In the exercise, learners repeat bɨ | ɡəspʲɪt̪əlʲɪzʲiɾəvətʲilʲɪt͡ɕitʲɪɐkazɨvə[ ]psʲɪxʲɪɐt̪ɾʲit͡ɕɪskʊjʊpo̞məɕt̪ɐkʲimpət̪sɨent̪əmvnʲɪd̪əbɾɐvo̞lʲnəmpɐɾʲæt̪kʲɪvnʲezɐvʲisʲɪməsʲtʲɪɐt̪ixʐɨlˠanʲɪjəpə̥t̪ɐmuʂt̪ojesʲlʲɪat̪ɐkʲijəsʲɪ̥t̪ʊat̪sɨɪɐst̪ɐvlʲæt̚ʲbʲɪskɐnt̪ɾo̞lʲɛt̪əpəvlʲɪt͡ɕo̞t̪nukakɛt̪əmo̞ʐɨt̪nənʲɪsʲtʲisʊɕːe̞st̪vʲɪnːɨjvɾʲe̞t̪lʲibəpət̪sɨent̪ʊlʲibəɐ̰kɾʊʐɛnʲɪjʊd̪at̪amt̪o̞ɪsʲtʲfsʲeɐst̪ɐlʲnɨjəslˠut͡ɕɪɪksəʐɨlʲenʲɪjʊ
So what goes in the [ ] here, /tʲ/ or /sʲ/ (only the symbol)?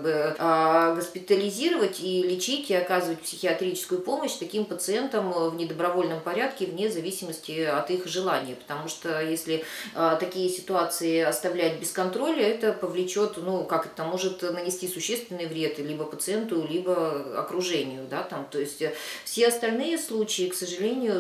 tʲ